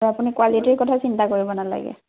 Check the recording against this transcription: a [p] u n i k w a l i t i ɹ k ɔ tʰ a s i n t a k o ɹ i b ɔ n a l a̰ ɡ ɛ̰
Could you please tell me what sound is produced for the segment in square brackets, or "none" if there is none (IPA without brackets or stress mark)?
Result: p